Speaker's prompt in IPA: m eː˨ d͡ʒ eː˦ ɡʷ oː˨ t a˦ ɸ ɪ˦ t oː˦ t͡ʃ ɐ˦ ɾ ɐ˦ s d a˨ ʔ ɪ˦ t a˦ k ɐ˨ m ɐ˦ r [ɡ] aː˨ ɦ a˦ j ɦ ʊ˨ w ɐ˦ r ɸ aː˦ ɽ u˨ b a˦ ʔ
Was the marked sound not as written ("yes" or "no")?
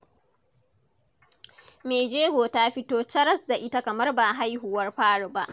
yes